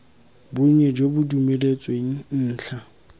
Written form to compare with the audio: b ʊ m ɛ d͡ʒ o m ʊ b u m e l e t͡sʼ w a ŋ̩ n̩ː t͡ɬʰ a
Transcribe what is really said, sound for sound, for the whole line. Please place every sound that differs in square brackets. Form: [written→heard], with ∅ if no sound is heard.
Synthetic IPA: b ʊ [m→ɲ] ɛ d͡ʒ o [m→b] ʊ [b→d] u m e l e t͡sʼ w [a→e] ŋ̩ n̩ː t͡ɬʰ a

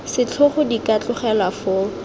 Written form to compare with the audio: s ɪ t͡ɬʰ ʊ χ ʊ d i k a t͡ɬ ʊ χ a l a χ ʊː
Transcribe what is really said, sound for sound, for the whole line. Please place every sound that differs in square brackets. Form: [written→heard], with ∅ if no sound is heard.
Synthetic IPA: s ɪ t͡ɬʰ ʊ χ ʊ d i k a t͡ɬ ʊ χ [a→ɛ] l a [χ→f] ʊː

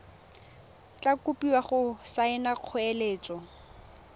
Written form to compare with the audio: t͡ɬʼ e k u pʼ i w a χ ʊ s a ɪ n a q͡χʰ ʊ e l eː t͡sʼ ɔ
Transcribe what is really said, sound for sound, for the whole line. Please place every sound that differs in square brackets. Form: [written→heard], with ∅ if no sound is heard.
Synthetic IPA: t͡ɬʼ [e→a] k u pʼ i w a χ ʊ s a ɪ n a q͡χʰ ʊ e l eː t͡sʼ ɔ

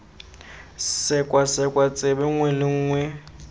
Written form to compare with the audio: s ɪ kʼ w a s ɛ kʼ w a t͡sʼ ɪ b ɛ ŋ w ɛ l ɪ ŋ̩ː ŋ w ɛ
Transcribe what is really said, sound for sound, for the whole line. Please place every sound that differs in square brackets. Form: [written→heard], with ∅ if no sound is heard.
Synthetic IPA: s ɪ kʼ w a s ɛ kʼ w a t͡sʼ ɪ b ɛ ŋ w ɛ l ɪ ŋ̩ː ŋ w ɛ

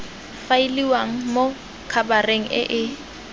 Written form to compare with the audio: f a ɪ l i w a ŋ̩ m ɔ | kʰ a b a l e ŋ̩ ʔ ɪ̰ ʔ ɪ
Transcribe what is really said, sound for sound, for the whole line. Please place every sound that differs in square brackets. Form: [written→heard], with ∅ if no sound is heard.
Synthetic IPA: f a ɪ l i w a ŋ̩ m [ɔ→o] | kʰ a b a [l→r] e ŋ̩ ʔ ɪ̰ ʔ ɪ

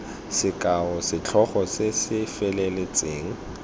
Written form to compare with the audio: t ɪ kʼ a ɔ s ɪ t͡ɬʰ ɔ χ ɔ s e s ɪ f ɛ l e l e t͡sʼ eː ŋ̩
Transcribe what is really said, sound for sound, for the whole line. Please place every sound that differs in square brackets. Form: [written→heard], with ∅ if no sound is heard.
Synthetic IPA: [t→s] ɪ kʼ a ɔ s ɪ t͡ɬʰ ɔ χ ɔ s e s ɪ f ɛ l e l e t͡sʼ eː ŋ̩

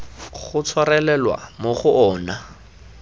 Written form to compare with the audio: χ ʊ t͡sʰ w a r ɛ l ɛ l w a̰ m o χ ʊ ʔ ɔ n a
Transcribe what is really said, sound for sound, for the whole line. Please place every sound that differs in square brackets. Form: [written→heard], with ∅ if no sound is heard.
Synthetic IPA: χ ʊ t͡sʰ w a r ɛ l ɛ l w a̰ m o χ ʊ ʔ [ɔ→ɔː] n a

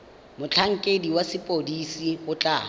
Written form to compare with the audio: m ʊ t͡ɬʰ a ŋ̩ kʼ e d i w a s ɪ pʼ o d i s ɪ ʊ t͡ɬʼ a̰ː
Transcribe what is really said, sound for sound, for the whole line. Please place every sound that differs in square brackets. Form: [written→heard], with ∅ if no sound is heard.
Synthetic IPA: m ʊ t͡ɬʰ a ŋ̩ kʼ e d i w a s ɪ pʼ o d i s [ɪ→i] ʊ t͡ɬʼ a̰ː

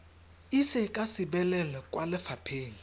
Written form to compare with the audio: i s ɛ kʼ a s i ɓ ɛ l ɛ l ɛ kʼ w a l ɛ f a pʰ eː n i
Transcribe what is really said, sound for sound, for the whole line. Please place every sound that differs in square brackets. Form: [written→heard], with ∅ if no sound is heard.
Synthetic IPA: i s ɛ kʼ a s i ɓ ɛ l ɛ l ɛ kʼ w a l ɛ f a pʰ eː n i

